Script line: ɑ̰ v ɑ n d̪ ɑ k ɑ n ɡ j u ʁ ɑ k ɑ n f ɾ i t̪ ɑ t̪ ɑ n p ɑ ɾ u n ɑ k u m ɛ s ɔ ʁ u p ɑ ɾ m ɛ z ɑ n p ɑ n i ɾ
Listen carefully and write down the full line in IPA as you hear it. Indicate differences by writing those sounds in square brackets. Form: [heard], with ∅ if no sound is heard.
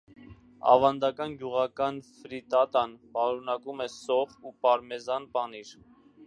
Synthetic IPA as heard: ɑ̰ v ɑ n d̪ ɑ k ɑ n ɡ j u ʁ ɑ k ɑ n f ɾ i t̪ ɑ t̪ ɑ n p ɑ ɾ u n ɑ k u m ɛ s ɔ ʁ u p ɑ ɾ m ɛ z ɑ n p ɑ n i ɾ